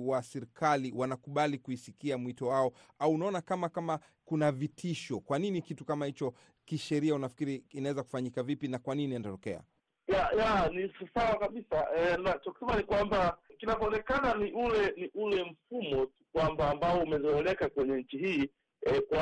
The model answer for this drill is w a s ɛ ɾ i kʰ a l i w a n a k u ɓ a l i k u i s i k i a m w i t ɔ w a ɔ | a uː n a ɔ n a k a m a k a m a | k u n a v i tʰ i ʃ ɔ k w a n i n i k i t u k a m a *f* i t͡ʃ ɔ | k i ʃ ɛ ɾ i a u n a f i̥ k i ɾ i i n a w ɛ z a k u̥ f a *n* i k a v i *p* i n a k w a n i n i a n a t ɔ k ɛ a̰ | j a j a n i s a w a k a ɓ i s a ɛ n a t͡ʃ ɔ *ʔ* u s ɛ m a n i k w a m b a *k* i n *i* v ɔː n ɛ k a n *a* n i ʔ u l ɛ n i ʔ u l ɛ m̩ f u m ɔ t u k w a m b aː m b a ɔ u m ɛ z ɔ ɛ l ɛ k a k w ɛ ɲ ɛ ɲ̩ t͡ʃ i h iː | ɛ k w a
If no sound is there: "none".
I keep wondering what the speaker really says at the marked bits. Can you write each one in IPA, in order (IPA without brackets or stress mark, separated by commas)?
h, ɲ, p, k, k, a, a